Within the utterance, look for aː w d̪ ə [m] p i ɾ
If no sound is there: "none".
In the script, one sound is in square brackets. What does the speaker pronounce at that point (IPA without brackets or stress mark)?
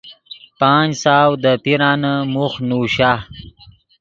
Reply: none